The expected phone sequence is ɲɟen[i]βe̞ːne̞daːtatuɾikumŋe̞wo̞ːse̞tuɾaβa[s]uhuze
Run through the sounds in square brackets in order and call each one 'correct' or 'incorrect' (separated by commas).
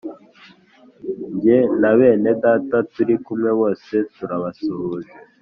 incorrect, correct